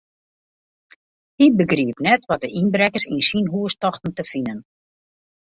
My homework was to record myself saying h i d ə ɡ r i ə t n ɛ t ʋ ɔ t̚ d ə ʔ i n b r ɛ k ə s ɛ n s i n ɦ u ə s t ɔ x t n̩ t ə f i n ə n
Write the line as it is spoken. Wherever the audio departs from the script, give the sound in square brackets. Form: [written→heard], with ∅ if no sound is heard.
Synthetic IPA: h i [d→b] ə ɡ r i ə [t→p] n ɛ t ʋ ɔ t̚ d ə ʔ i n b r ɛ k ə s [ɛ→i] n s i n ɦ u ə s t ɔ x t n̩ t ə f i n ə n